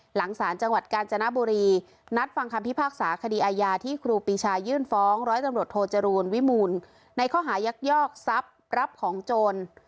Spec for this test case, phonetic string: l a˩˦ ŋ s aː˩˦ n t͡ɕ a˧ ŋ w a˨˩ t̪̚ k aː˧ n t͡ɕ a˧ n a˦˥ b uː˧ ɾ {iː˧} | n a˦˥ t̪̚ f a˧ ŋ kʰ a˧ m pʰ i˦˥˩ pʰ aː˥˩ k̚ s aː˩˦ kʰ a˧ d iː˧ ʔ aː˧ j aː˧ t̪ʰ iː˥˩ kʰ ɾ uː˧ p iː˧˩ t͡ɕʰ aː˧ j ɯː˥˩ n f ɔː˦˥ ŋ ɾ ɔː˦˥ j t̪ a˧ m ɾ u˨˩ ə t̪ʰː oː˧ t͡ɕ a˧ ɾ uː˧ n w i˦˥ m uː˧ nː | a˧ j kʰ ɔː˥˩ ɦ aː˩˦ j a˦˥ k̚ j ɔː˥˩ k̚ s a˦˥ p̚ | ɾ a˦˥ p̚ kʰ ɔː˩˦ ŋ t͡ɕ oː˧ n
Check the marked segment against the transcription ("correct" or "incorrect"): correct